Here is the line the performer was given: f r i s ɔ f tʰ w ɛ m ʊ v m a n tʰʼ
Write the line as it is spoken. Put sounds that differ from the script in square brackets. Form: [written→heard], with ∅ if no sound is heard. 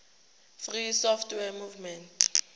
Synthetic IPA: f r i s ɔ f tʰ w ɛ m [ʊ→u] v m [a→ɛ] n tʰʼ

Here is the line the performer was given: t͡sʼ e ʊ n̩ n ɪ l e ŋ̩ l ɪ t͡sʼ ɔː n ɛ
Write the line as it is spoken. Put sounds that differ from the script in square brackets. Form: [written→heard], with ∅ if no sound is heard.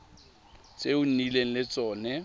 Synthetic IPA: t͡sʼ e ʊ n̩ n [ɪ→i] l e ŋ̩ l ɪ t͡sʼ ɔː n ɛ

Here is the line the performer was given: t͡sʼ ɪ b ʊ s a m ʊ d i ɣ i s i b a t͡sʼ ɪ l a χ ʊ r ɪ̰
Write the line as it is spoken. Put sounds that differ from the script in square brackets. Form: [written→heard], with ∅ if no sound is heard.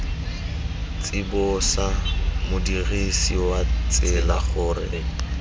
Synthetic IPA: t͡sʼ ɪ b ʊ s a m ʊ d i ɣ i s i [b→w] a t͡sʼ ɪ l a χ ʊ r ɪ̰

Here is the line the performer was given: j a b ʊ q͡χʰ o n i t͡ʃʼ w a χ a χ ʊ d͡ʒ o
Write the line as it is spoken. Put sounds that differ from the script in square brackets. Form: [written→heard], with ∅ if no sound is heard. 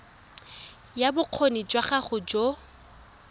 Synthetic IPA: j a b ʊ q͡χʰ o n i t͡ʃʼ w a χ a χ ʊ d͡ʒ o

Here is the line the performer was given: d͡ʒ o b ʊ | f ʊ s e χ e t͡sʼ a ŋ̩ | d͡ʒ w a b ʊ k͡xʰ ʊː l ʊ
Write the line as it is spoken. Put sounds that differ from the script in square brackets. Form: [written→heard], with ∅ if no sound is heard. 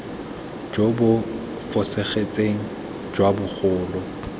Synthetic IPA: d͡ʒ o b ʊ | f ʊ s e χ e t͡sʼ [a→e] ŋ̩ | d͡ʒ w a b ʊ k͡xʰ ʊː l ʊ

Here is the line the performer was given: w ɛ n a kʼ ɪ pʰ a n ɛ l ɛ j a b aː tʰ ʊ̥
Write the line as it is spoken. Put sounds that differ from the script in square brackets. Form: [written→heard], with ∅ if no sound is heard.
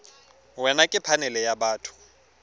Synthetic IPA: w ɛ n a kʼ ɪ pʰ a n ɛ l ɛ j a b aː tʰ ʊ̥

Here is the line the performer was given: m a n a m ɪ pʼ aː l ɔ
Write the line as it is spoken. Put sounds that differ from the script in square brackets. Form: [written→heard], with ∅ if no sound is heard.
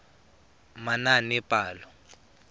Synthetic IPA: m a n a [m→n] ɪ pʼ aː l ɔ

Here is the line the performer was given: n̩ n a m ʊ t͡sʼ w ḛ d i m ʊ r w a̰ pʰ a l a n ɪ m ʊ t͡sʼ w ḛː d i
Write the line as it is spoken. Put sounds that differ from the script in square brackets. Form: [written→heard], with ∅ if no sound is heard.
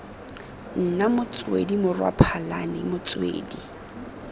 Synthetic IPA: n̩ n a m ʊ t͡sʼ w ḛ d i m ʊ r w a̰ pʰ a l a n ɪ m ʊ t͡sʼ w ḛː d i

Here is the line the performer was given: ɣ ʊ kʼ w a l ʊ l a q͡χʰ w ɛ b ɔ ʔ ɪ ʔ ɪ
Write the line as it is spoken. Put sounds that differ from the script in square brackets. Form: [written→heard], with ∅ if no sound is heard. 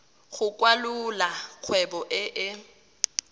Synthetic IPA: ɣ ʊ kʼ w a l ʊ l a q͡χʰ w ɛ b ɔ ʔ ɪ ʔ ɪ

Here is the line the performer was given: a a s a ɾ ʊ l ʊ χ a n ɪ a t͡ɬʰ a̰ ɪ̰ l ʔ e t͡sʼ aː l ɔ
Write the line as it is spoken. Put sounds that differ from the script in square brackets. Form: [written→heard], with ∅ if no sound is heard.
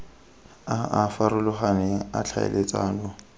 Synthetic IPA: a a [s→f] a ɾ ʊ l ʊ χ a n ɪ a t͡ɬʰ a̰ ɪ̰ l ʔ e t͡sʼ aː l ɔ

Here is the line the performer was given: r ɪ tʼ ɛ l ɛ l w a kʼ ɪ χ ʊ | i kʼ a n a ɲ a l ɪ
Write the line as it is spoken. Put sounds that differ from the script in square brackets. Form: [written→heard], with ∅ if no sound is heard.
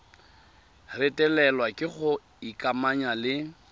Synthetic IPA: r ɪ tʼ ɛ l ɛ l w a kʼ ɪ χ ʊ | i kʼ a [n→m] a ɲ a l ɪ

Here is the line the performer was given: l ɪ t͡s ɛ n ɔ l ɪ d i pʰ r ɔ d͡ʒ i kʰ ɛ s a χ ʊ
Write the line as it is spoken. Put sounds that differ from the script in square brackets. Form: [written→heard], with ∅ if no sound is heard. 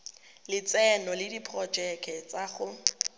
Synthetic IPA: l ɪ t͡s ɛ n ɔ l ɪ d i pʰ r ɔ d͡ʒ [i→ɛ] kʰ ɛ [s→t͡s] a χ ʊ

